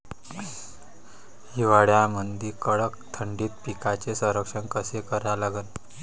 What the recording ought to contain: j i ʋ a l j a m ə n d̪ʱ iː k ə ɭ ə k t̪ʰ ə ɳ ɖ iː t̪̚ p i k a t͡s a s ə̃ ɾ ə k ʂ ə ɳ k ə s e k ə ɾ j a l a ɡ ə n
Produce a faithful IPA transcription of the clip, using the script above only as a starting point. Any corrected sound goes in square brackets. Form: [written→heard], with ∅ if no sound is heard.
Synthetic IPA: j i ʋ a [l→ɽ] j a m ə n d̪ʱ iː k ə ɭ ə k t̪ʰ ə ɳ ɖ iː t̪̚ p i k a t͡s [a→e] s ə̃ ɾ ə k ʂ ə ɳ k ə s e k ə ɾ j a l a ɡ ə n